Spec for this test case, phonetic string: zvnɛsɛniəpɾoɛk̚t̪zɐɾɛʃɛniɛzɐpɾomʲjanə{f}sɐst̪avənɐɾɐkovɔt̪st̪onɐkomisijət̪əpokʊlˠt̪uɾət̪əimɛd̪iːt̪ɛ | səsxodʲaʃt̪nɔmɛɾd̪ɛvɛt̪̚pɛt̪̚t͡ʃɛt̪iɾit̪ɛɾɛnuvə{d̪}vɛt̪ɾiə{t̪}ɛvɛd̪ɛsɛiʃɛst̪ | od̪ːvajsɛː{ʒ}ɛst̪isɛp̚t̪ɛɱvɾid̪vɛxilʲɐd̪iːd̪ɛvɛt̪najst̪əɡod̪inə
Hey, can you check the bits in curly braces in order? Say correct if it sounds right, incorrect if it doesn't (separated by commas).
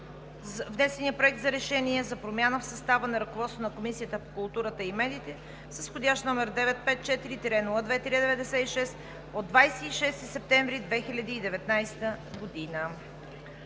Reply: correct, correct, incorrect, incorrect